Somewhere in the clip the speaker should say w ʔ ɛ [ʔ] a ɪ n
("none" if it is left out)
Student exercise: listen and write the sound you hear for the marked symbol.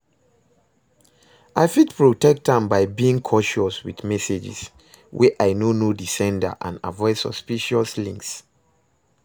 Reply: ʔ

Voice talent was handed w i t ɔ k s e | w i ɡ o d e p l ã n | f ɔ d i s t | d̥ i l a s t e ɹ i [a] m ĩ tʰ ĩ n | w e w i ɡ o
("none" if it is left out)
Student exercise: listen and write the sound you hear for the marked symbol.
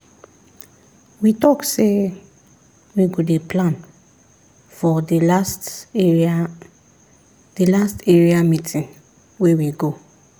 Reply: a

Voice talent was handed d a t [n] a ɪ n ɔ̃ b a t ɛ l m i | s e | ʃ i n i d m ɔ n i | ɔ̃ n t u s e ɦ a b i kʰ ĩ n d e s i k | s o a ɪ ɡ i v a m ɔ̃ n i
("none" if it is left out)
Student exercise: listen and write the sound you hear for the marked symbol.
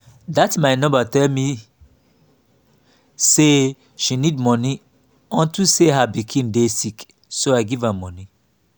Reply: m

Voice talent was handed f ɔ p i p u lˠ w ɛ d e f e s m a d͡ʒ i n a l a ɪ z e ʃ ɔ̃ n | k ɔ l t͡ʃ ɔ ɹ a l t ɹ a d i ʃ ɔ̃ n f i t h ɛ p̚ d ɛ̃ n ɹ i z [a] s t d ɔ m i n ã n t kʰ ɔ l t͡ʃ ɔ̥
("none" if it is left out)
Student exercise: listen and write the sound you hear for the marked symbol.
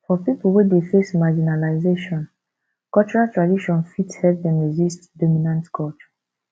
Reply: i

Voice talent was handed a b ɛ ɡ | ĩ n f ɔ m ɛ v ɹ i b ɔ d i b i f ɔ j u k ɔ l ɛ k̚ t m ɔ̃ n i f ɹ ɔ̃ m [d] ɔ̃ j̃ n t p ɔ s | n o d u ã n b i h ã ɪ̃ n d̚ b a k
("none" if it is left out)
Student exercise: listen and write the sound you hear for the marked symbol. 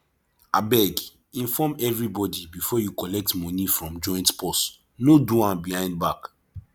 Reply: d͡ʒ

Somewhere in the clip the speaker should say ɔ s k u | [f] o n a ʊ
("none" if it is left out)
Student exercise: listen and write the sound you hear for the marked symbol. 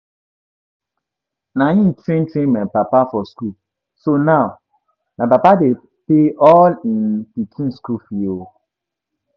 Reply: s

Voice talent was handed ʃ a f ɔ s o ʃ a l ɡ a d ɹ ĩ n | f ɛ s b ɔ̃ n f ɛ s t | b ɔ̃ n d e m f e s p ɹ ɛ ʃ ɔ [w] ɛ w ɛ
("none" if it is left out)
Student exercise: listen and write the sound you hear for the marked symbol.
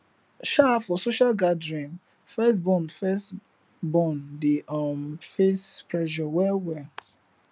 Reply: w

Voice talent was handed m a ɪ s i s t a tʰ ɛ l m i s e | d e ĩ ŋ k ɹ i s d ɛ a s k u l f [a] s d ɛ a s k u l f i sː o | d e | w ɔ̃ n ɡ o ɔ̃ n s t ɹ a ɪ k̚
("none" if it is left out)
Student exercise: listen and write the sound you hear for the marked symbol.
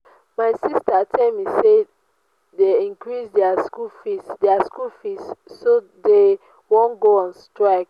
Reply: i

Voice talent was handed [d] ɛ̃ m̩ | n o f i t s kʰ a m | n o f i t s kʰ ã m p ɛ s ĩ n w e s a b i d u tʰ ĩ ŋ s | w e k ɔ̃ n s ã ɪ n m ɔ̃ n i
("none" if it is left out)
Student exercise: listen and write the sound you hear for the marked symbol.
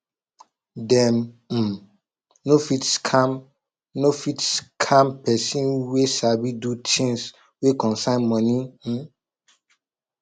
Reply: d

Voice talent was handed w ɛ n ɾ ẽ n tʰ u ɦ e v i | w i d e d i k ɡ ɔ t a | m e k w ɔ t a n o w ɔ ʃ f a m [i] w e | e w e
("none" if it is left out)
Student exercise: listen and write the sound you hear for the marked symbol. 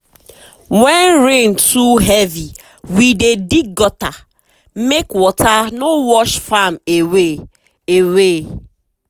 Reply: e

